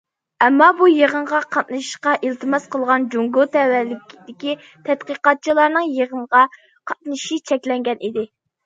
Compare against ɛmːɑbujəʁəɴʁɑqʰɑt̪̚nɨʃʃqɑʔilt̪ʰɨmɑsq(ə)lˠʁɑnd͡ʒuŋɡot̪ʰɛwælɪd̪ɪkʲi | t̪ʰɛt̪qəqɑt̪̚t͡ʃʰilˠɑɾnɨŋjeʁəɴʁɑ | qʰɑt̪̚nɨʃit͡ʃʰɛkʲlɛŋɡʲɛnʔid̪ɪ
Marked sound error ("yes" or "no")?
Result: no